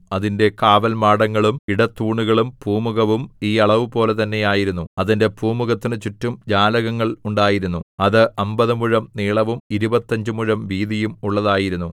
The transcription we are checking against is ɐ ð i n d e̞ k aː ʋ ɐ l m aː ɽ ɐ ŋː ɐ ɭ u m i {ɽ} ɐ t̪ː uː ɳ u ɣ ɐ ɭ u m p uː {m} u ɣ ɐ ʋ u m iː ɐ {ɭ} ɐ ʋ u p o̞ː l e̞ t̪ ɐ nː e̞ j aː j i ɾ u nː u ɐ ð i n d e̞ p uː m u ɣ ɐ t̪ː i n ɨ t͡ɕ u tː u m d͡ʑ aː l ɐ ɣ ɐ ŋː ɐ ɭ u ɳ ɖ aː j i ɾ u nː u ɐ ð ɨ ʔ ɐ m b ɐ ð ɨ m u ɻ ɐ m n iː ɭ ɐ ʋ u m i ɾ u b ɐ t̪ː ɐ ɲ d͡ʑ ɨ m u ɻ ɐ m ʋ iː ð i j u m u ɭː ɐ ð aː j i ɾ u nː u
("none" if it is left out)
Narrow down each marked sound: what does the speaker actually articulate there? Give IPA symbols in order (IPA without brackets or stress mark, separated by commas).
ɽ, m, ɭ